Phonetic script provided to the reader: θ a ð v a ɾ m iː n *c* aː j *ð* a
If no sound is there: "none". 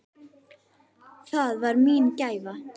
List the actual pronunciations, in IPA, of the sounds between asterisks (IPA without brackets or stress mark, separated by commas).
c, v